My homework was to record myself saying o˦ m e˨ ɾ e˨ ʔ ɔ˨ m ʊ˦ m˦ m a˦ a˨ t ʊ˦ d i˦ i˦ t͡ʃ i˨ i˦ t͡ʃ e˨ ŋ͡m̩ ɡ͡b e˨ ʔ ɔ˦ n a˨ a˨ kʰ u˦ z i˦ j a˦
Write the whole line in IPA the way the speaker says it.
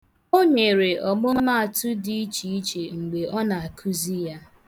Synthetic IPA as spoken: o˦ ɲ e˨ ɾ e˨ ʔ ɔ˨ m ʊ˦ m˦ m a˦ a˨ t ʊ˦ d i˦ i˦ t͡ʃ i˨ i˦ t͡ʃ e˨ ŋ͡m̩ ɡ͡b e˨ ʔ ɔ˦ n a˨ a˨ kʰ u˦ z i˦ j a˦